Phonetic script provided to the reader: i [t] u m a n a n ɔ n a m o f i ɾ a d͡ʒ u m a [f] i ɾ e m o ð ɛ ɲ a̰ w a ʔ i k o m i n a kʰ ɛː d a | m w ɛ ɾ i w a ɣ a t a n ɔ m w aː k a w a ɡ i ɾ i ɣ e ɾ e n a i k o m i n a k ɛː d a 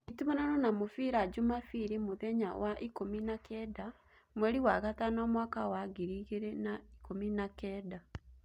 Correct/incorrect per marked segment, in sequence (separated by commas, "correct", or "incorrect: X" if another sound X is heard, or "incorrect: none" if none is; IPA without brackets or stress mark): correct, correct